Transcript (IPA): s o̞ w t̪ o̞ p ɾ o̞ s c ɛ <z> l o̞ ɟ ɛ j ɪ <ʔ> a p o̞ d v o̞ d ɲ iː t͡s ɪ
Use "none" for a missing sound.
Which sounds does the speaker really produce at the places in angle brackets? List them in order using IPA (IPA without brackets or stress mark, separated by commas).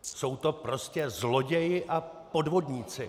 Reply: z, ʔ